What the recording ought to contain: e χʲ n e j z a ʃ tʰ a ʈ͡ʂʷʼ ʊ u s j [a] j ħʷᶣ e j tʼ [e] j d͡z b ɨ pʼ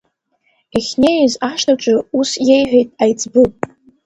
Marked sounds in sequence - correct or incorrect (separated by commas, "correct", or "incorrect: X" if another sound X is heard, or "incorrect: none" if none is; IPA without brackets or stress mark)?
incorrect: e, incorrect: a